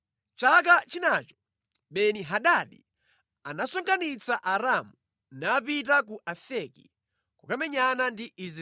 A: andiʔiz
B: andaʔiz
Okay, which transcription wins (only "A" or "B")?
A